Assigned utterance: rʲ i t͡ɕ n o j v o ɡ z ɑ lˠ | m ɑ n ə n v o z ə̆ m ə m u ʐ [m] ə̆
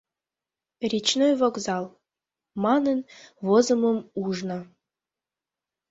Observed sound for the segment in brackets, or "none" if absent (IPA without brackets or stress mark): n